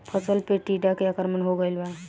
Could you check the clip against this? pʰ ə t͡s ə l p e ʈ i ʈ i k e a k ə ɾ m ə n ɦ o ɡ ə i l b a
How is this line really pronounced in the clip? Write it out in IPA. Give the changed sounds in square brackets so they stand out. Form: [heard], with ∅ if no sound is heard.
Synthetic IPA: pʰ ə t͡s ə l p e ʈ i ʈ [a] k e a k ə ɾ m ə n ɦ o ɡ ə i l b a